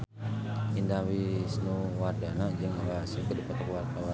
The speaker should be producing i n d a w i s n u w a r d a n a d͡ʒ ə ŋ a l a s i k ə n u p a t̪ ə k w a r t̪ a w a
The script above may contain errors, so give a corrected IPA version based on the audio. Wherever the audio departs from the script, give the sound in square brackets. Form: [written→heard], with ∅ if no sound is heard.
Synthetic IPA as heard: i n d a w i s n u w a r d a n a d͡ʒ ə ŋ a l a s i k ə [n→d] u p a t̪ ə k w a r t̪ a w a